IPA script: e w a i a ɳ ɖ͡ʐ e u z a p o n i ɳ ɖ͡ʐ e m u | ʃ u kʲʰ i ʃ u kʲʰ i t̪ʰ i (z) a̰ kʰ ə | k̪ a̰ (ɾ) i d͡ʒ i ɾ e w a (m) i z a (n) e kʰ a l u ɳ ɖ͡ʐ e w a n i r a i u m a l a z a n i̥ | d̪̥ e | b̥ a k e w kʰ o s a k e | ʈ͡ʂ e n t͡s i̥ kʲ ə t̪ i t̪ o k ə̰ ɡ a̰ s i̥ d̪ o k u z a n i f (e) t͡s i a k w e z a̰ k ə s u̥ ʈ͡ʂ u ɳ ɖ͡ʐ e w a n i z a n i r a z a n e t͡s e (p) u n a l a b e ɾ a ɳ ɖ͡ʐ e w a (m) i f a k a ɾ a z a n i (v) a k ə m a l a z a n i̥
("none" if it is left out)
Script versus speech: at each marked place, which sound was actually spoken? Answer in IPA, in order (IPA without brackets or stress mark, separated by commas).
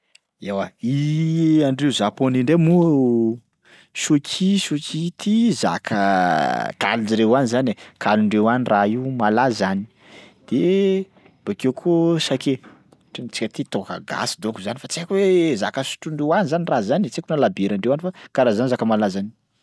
z, l, n, n, a, k, n, z